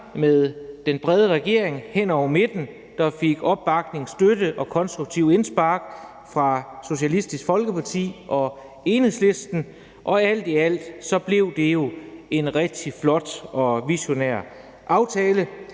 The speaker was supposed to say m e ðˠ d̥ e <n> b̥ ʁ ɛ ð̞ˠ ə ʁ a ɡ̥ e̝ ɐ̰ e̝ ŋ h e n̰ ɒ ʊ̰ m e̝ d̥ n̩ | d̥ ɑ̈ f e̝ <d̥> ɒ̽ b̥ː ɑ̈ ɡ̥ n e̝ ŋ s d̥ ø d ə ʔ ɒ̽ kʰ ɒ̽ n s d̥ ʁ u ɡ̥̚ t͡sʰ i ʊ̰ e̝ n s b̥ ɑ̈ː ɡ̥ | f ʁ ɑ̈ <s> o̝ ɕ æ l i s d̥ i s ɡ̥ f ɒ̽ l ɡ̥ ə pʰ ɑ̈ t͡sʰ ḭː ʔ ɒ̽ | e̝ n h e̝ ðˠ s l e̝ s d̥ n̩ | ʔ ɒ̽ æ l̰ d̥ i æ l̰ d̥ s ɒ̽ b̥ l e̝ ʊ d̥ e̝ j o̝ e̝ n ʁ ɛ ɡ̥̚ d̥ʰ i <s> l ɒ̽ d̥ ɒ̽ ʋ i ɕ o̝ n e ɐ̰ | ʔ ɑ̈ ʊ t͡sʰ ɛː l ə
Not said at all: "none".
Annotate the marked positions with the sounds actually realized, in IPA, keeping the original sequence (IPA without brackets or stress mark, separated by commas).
n, ɡ̥, s, f